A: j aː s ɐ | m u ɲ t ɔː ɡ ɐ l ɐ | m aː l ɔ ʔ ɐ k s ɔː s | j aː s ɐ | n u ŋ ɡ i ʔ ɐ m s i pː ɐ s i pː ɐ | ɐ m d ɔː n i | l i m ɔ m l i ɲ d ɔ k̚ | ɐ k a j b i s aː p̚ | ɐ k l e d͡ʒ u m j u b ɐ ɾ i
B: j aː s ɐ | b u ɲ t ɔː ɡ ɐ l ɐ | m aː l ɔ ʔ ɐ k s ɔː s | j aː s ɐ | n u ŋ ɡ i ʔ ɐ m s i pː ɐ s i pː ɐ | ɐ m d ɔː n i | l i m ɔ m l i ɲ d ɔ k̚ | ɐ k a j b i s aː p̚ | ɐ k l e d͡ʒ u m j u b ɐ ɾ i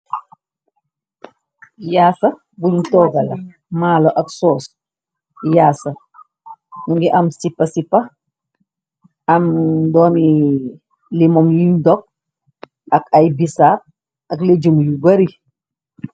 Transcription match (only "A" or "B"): B